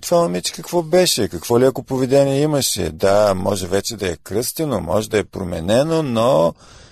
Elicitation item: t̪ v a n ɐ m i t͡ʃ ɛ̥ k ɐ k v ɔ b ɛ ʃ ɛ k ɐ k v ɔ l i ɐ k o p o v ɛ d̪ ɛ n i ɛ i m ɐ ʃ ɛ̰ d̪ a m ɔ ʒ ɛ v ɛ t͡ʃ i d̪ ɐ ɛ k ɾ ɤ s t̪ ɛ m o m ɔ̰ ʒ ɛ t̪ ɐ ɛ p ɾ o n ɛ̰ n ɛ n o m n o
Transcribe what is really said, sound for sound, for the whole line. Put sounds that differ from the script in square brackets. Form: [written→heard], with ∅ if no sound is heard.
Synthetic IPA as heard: t̪ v a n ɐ m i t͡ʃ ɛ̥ k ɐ k v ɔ b ɛ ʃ ɛ k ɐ k v ɔ l i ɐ k o p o v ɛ d̪ ɛ n i ɛ i m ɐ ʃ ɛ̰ d̪ a m ɔ ʒ ɛ v ɛ t͡ʃ [i→ɛ] d̪ ɐ ɛ k ɾ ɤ s t̪ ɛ [m→n] o m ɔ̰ ʒ ɛ [t̪→d̪] ɐ ɛ p ɾ o [n→m] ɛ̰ n ɛ n o [m→∅] n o